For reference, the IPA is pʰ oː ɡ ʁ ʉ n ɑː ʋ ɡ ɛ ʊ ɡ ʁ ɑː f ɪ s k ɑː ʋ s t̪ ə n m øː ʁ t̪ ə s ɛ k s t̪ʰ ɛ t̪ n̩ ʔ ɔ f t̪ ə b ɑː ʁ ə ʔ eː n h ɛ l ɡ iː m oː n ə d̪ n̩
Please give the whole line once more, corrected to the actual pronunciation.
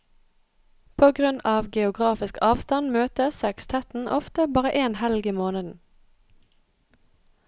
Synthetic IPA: pʰ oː ɡ ʁ ʉ n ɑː ʋ ɡ ɛ ʊ ɡ ʁ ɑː f ɪ s k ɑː ʋ s t̪ ɑ n m øː t̪ ə s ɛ k s t̪ʰ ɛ t̪ n̩ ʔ ɔ f t̪ ə b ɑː ʁ ə ʔ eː n h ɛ l ɡ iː m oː n ə d̪ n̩